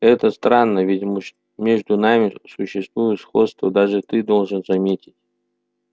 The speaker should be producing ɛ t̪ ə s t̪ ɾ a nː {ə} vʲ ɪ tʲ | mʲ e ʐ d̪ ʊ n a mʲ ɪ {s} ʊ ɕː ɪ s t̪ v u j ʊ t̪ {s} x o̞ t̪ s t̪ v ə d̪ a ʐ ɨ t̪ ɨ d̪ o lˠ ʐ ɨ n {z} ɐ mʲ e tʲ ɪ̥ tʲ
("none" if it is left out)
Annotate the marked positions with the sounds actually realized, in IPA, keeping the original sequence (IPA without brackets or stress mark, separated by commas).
ə, s, s, z